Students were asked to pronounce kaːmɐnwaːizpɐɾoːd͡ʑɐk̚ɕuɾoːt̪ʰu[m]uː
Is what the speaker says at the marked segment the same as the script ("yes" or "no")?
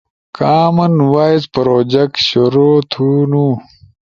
no